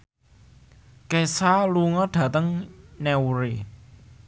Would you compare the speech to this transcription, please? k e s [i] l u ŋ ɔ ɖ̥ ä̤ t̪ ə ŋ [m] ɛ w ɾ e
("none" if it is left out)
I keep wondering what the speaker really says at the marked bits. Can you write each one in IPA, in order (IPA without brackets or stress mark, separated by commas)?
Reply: a, n